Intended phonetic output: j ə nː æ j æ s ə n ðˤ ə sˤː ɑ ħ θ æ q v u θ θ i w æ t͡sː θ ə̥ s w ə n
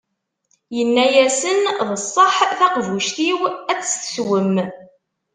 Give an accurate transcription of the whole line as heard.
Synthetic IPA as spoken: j ə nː æ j æ s ə n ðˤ ə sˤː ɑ ħ θ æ q v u ʃ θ i w æ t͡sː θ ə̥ s w ə m